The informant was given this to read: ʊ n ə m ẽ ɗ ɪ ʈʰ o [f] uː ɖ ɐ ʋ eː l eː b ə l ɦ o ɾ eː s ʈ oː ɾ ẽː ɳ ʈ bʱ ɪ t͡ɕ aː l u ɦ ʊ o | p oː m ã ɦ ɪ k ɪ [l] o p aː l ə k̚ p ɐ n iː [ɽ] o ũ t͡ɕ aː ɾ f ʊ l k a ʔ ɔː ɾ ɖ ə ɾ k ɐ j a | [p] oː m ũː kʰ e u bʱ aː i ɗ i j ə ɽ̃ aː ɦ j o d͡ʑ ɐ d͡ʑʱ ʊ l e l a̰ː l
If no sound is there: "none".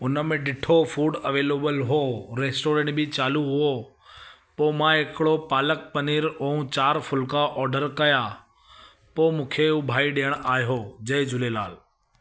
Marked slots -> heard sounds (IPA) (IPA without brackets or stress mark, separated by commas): f, ɽ, ɾ, p